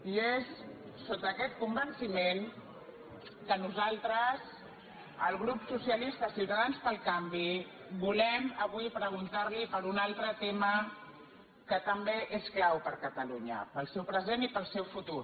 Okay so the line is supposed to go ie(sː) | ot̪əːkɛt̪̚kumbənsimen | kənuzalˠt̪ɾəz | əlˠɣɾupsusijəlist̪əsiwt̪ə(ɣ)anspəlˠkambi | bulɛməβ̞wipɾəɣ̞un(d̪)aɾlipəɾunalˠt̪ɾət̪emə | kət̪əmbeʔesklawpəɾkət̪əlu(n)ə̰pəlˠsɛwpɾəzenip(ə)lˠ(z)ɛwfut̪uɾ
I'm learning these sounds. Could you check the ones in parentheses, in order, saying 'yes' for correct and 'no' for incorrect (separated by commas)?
yes, no, no, no, yes, no